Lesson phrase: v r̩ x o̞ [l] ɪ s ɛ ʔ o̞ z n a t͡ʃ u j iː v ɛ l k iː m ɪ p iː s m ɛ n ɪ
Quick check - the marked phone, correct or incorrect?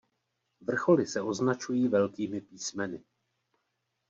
correct